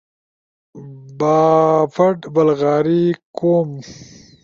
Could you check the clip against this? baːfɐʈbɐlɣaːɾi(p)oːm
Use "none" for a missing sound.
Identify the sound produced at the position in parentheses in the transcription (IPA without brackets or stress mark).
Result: k